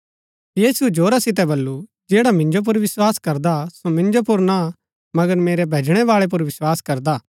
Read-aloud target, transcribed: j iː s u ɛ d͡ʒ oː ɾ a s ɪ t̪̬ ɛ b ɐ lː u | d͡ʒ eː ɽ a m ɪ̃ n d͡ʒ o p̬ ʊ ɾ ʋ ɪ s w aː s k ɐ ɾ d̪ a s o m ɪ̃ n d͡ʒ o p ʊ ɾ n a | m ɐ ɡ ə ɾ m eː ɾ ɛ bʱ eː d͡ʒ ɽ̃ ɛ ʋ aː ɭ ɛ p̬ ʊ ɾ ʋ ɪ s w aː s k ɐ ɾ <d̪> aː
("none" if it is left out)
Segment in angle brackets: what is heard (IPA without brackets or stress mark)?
d̪